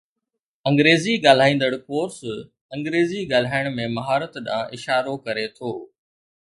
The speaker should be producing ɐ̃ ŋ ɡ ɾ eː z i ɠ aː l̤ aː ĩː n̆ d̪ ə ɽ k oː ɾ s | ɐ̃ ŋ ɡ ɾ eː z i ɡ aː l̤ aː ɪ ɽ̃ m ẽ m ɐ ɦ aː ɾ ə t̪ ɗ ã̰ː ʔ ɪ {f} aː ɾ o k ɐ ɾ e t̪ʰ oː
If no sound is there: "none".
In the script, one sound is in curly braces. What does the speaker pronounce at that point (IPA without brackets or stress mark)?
ʃ